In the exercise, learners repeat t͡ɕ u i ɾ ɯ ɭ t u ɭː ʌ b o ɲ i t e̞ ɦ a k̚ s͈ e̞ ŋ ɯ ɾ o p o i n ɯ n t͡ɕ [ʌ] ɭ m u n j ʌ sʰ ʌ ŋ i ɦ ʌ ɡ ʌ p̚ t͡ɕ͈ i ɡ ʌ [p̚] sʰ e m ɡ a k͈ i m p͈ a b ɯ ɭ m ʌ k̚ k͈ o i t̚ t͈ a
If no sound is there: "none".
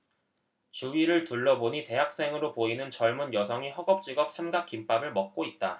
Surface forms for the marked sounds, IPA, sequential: ʌ, p̚

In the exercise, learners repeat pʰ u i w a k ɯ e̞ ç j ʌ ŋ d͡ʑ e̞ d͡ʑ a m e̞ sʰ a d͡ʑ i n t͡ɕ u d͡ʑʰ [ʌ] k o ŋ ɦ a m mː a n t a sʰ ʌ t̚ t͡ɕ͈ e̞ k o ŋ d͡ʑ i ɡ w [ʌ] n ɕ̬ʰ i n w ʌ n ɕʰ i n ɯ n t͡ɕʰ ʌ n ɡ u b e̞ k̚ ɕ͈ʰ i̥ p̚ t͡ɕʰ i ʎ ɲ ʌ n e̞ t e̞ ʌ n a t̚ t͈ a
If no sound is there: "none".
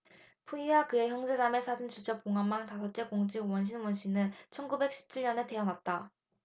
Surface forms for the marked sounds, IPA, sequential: ʌ, ʌ

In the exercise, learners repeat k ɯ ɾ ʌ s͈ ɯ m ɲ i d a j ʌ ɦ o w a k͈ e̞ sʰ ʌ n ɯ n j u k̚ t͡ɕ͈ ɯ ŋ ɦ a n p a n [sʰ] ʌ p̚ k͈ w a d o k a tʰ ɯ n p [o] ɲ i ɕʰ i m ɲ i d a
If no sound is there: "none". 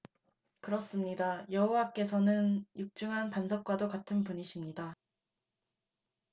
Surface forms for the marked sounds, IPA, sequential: sʰ, u

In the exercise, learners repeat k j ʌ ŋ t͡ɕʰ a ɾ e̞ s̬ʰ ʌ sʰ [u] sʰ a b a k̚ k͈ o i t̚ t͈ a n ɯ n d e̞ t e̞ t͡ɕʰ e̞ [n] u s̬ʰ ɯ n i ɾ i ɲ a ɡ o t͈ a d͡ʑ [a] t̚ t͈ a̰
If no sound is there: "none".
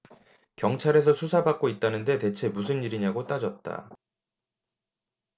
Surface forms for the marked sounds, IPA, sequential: u, m, ʌ

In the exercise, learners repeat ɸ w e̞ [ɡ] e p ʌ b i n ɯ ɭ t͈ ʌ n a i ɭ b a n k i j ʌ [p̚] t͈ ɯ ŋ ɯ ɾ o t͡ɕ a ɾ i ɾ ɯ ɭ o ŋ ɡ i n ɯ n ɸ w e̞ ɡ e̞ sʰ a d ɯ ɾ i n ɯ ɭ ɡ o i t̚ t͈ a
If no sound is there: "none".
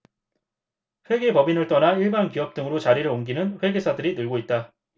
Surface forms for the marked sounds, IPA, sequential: ɡ, p̚

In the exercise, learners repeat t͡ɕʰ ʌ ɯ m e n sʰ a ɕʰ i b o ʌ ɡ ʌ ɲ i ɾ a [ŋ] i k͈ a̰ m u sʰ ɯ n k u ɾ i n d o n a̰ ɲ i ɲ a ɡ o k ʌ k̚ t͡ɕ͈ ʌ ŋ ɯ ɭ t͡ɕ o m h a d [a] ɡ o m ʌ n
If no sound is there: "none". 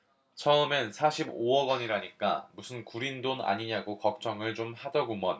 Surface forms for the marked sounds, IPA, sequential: ɲ, ʌ

